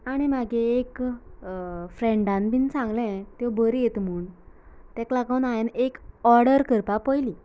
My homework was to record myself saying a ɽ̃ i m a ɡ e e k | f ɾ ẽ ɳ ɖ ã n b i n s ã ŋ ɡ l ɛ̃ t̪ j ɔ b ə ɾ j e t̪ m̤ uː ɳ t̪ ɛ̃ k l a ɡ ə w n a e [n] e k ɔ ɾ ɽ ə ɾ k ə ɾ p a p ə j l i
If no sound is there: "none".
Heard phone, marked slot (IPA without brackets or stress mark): n